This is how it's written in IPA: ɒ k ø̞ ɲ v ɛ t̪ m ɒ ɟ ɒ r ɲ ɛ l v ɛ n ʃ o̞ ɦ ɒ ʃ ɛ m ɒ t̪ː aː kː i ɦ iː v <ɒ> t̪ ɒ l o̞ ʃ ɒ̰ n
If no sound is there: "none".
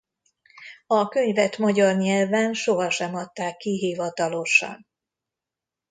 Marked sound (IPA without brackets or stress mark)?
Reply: ɒ